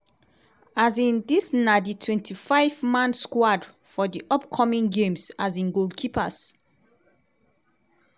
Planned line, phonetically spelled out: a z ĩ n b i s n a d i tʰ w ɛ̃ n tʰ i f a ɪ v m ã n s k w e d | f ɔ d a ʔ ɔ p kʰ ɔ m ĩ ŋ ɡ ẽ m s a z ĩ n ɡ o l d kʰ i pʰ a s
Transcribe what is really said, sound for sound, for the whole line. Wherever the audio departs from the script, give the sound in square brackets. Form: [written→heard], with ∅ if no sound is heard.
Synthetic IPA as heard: a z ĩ n [b→d] i s n a d i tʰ w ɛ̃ n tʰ i f a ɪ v m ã n s k w [e→a] d | f ɔ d [a→i] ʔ ɔ p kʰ ɔ m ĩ ŋ ɡ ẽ m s a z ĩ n ɡ o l d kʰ i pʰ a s

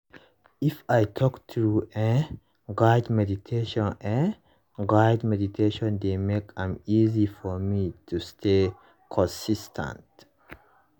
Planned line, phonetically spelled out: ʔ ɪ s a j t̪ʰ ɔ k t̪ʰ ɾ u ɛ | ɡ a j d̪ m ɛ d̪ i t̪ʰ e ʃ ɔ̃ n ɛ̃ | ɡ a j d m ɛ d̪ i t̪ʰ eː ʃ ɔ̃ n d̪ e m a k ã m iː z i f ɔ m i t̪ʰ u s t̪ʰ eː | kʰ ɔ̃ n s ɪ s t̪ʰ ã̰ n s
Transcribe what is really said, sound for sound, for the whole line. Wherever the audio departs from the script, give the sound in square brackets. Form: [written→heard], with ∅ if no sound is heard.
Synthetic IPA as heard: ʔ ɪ [s→f] a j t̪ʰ ɔ k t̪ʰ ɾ u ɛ | ɡ a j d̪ m ɛ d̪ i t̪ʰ e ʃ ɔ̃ n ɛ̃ | ɡ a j d m ɛ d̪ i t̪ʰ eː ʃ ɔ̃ n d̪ e m [a→e] k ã m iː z i f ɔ m i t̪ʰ u s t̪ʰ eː | kʰ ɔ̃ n s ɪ s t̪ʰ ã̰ n [s→t]

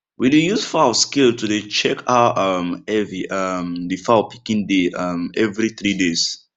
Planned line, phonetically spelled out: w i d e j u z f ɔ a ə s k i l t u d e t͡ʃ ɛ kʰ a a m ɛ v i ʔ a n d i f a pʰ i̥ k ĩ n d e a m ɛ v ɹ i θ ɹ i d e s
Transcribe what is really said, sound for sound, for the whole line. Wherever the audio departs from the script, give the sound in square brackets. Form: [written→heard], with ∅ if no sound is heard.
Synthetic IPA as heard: w i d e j u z f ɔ a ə s k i l t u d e t͡ʃ ɛ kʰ a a m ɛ v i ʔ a [n→m] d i f a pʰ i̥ k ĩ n d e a m ɛ v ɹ i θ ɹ i d e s

